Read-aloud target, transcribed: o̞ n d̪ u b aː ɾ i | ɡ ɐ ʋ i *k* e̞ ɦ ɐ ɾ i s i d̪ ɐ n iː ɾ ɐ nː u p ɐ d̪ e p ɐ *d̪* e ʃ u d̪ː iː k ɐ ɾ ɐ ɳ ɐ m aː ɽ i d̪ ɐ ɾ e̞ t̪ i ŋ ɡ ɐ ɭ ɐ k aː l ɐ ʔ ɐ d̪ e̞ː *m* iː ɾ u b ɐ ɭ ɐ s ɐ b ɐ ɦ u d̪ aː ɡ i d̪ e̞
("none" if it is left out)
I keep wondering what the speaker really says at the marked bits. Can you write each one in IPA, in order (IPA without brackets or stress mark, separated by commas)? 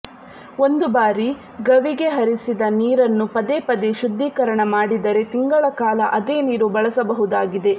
ɡ, d̪, n